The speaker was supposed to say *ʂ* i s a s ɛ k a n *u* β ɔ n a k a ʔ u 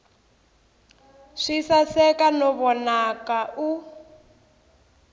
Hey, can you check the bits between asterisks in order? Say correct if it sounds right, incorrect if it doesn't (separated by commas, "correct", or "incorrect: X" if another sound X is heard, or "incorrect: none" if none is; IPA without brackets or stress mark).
correct, incorrect: ɔ